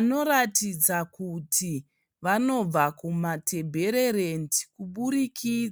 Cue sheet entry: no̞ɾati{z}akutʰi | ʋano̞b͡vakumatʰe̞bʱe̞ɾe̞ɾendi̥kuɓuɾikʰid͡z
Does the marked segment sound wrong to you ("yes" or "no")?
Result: yes